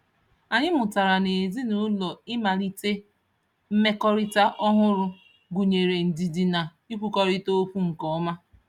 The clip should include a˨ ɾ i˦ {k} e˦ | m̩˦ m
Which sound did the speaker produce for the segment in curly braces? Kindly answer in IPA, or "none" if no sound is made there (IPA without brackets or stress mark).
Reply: t